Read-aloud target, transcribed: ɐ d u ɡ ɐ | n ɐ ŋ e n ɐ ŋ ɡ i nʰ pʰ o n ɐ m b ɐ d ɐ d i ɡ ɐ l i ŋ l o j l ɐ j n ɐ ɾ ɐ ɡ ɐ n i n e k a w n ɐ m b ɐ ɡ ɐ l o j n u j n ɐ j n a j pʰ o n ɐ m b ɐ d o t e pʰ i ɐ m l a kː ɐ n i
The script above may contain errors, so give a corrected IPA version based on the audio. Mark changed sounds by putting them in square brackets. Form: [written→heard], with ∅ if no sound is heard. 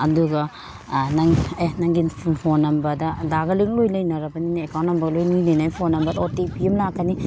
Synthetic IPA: ɐ d u ɡ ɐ | n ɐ ŋ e n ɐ ŋ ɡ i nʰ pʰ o n ɐ m b ɐ d ɐ d [i→a] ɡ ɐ l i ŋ l o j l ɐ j n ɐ ɾ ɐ [ɡ→b] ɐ n i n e k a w n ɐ m b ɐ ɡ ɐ l o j n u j n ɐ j n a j pʰ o n ɐ m b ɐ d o t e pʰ i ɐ m l a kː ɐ n i